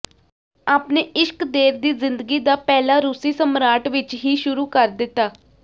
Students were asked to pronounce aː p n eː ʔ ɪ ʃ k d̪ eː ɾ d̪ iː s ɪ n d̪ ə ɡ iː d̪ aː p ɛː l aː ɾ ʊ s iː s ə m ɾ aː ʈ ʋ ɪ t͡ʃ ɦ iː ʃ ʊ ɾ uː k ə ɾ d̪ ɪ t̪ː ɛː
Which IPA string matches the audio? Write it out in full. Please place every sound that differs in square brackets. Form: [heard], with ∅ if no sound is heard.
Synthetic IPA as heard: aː p n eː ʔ ɪ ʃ k d̪ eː ɾ d̪ iː [z] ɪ n d̪ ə ɡ iː d̪ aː p ɛː l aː ɾ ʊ s iː s ə m ɾ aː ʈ ʋ ɪ t͡ʃ ɦ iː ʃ ʊ ɾ uː k ə ɾ d̪ ɪ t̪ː [aː]